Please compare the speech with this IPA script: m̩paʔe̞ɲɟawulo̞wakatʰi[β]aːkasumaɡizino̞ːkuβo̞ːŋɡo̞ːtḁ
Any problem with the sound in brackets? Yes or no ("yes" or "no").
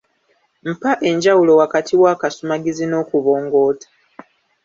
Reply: yes